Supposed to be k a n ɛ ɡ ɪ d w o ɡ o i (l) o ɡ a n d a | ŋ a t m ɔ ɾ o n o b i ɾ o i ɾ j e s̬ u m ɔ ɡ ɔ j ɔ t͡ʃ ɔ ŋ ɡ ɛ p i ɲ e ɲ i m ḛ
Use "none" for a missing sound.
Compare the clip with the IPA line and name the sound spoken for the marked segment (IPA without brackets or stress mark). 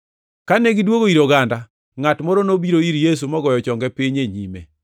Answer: ɾ